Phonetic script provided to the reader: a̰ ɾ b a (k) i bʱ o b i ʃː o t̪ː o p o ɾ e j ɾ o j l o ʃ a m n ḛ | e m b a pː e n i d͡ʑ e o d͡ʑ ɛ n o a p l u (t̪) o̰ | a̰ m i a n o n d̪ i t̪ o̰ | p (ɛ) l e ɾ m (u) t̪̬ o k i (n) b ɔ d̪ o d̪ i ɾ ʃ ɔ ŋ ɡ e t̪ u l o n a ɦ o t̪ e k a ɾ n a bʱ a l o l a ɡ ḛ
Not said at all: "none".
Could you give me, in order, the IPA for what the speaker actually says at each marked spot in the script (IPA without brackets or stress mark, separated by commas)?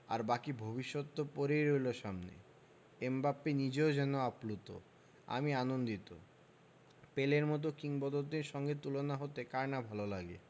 k, t̪, e, ɔ, ŋ